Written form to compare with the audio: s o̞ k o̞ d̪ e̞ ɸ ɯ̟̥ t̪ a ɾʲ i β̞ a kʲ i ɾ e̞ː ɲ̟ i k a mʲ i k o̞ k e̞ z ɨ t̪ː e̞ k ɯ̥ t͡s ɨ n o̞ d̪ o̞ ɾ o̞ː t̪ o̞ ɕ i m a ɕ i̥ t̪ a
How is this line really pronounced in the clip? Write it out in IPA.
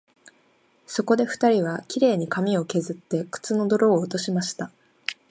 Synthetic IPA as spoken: s o̞ k o̞ d̪ e̞ ɸ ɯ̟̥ t̪ a ɾʲ i β̞ a kʲ i ɾ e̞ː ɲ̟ i k a mʲ i o̞ k e̞ z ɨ t̪ː e̞ k ɯ̥ t͡s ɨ n o̞ d̪ o̞ ɾ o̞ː t̪ o̞ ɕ i m a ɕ i̥ t̪ a